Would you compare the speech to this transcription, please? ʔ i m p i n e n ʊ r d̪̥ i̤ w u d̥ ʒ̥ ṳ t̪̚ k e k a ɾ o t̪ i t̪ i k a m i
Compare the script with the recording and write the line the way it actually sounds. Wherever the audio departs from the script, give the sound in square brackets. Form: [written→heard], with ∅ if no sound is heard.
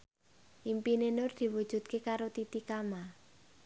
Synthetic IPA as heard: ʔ i m p i n e n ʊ r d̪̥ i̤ w u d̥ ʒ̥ ṳ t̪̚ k e k a ɾ o t̪ i t̪ i k a m [i→a]